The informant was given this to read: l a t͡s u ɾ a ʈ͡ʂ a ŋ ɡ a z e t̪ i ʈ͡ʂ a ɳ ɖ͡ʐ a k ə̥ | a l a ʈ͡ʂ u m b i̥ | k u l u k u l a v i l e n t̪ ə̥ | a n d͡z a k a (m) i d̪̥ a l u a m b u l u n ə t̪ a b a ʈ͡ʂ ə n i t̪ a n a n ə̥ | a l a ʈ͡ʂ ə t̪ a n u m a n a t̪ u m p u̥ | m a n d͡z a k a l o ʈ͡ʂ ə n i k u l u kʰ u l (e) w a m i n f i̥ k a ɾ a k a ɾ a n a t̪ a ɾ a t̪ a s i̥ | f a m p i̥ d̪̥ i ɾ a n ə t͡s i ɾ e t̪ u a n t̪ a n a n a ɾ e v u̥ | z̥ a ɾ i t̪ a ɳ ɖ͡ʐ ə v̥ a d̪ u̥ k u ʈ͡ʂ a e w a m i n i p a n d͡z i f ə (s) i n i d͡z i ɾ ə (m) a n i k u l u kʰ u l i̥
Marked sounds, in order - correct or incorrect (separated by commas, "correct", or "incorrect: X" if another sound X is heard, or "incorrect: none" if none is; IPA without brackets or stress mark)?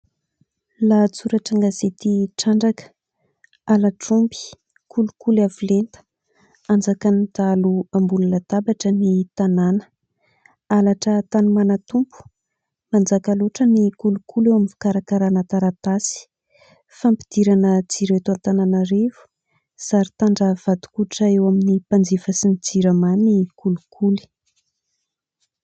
incorrect: n, correct, correct, correct